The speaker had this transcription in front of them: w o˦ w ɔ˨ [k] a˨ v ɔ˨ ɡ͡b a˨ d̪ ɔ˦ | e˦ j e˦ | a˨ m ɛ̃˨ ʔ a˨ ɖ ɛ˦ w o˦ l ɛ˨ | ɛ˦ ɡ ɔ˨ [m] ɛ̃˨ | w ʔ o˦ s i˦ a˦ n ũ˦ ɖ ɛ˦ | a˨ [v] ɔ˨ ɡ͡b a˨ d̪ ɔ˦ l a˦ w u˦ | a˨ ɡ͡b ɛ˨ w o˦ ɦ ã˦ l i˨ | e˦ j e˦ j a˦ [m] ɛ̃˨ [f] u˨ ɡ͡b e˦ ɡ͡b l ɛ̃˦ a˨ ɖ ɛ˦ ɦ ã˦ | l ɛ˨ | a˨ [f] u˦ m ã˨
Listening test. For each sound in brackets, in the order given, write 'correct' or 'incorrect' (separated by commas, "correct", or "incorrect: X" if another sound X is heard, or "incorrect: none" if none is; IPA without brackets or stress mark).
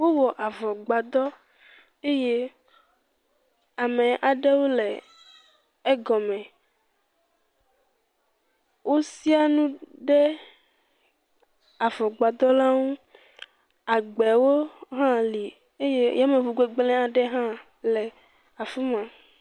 incorrect: ʔ, correct, correct, correct, incorrect: v, correct